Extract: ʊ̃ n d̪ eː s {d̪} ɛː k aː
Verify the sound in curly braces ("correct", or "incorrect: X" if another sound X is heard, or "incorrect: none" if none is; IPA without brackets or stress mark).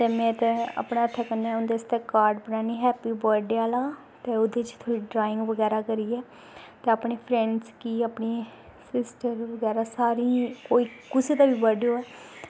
incorrect: t̪